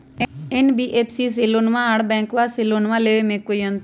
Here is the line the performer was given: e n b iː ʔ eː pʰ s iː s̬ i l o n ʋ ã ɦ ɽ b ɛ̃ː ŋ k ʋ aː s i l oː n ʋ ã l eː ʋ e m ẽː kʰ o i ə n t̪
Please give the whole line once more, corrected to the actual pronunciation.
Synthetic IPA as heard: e n b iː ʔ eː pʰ s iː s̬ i l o n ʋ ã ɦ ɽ b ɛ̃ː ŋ k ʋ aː s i l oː n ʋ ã l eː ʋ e m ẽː k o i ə n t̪